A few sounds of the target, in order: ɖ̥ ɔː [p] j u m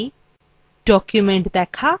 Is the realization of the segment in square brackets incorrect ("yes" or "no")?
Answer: yes